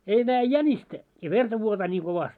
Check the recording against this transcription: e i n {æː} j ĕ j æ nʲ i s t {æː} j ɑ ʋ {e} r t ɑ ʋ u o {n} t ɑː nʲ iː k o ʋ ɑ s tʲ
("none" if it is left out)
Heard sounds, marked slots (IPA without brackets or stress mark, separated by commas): æː, æ, e, none